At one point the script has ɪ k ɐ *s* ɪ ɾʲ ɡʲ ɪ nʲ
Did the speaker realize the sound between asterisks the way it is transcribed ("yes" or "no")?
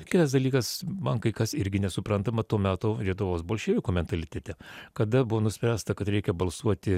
yes